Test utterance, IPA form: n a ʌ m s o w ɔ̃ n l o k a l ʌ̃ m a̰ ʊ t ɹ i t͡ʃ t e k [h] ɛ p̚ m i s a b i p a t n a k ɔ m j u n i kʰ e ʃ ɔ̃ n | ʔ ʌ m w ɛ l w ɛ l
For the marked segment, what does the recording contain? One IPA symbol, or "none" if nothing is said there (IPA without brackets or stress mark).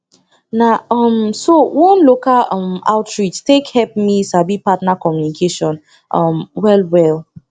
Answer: h